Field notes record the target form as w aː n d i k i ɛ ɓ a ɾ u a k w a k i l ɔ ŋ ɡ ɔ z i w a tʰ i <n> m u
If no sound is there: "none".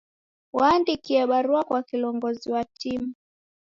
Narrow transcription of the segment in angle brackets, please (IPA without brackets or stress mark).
none